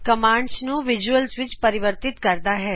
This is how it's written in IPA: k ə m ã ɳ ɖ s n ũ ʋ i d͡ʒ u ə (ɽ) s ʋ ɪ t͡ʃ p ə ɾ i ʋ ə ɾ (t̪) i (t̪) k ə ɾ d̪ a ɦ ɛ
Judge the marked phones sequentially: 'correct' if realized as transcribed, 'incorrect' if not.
incorrect: l, correct, correct

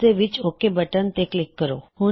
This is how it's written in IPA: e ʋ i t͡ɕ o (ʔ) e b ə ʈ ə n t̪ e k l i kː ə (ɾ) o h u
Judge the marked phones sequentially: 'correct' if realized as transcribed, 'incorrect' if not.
incorrect: k, correct

